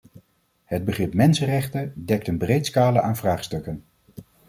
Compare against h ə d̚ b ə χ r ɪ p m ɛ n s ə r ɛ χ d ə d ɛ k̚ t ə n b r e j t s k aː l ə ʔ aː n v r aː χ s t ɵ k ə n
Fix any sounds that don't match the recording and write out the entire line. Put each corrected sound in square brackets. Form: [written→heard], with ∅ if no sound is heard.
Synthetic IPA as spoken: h ə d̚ b ə χ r ɪ p m ɛ n s ə r ɛ χ [d→t] ə d ɛ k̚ t ə n b r e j t s k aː l ə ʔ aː n v r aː χ s t ɵ k ə n